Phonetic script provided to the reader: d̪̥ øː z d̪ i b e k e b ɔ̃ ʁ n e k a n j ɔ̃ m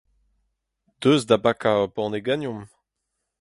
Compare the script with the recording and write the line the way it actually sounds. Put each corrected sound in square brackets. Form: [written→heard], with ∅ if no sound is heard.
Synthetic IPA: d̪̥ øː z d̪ [i→a] b [e→a] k [e→a] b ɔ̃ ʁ n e [k→ɡ] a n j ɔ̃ m

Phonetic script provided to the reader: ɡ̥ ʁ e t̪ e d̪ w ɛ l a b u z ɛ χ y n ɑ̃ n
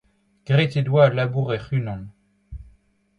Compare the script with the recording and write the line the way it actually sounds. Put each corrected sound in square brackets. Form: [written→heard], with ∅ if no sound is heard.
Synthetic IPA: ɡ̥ ʁ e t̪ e d̪ w [ɛ→a] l a b u [z→ʁ] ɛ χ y n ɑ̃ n

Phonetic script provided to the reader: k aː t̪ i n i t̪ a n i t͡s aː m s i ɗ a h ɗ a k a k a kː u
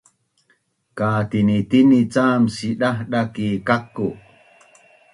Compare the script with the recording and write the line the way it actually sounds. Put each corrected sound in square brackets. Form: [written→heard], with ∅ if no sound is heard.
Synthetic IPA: k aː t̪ i n i t̪ [a→i] n i t͡s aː m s i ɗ a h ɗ a k [a→i] k a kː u

